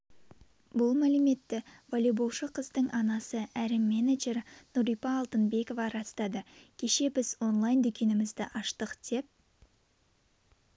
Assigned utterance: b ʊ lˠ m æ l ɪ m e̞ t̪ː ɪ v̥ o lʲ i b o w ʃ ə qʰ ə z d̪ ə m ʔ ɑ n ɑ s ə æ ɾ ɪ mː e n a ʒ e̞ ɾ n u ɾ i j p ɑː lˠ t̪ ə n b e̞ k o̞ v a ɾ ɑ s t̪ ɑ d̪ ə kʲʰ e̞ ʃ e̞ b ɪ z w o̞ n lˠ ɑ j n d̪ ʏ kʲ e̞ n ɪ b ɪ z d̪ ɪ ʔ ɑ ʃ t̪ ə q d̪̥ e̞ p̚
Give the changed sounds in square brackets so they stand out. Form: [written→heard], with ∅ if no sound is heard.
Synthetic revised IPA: b ʊ lˠ m æ l ɪ m e̞ t̪ː ɪ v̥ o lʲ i b o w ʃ ə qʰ ə z d̪ ə [m→ɴ] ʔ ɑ n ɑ s ə æ ɾ ɪ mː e n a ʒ e̞ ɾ n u ɾ i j p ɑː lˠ t̪ ə n b e̞ k o̞ v [a→ɑ] ɾ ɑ s t̪ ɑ d̪ ə kʲʰ e̞ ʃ e̞ b ɪ z w o̞ n lˠ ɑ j n d̪ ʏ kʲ e̞ n ɪ [b→m] ɪ z d̪ ɪ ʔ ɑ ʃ t̪ ə q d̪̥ e̞ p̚